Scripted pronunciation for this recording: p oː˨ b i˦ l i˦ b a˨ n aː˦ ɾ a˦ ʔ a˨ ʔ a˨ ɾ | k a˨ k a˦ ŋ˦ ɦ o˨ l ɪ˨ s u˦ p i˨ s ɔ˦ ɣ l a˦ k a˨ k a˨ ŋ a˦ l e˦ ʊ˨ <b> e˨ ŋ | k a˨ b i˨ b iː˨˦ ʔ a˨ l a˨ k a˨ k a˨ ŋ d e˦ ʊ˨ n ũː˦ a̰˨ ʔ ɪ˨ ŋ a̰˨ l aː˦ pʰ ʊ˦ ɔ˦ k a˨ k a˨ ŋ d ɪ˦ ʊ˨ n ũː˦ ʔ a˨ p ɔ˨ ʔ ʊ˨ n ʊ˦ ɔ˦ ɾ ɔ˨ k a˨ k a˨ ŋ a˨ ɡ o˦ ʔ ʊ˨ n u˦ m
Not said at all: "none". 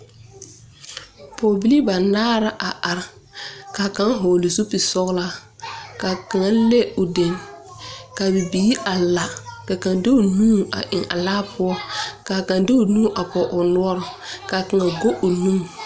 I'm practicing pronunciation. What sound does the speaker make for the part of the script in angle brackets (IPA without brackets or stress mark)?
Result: d